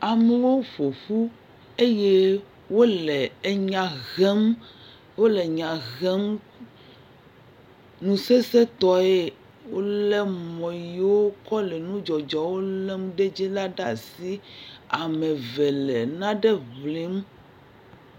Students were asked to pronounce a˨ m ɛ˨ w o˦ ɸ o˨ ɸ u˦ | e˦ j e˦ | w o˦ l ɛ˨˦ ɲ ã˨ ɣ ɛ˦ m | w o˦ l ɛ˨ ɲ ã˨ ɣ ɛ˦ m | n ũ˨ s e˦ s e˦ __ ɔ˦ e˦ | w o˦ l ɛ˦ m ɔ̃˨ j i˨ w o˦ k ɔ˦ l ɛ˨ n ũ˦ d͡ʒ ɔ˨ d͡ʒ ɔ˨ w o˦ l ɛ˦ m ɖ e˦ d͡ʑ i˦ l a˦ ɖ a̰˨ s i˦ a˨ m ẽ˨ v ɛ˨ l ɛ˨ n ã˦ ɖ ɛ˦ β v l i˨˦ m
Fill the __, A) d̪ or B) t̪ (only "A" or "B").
B